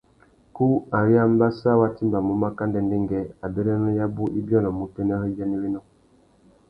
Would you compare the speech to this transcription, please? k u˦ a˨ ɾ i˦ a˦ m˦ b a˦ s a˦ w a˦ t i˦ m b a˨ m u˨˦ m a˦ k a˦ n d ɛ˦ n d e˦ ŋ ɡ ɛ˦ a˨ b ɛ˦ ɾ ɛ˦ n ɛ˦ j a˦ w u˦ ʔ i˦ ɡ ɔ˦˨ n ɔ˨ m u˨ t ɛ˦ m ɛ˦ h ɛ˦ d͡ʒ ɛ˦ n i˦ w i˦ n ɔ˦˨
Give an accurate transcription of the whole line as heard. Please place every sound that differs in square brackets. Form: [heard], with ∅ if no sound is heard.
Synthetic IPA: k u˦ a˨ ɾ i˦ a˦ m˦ b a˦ s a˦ w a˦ t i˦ m b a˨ m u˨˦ m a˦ k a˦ n d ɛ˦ n d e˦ ŋ ɡ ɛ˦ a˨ b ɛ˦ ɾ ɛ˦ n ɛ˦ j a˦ [b] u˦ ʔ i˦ [b] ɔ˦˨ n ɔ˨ m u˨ t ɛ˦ [n] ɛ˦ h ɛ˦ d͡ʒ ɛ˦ n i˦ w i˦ n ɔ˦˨